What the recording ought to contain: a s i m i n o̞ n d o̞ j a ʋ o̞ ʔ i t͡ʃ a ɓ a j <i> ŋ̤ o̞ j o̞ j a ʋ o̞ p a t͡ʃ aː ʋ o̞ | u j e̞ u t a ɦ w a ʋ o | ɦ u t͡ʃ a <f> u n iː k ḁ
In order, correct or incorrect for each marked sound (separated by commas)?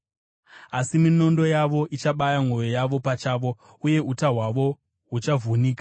incorrect, incorrect